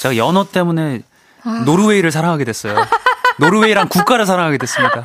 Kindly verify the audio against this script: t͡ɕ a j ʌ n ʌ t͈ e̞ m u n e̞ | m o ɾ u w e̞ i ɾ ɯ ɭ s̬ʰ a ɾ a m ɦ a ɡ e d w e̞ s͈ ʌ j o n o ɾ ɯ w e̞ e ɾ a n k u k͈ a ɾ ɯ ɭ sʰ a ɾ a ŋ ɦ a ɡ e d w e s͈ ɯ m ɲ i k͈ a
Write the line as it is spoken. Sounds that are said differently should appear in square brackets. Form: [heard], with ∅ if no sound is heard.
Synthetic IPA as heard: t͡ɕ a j ʌ n ʌ t͈ e̞ m u n e̞ | [n] o ɾ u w e̞ i ɾ ɯ ɭ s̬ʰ a ɾ a [ŋ] ɦ a ɡ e d w e̞ s͈ ʌ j o n o ɾ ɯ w e̞ [i] ɾ a n k u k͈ a ɾ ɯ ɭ sʰ a ɾ a ŋ ɦ a ɡ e d w e s͈ ɯ m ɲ i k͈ a